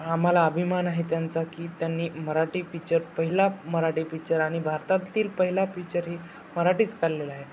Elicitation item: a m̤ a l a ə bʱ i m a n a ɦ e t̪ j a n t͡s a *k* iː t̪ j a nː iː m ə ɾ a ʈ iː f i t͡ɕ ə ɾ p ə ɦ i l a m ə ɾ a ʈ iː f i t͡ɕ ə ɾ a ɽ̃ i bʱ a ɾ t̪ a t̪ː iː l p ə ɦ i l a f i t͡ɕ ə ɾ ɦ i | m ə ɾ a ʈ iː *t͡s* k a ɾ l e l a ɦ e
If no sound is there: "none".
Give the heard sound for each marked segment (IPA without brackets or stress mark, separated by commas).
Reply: k, t͡s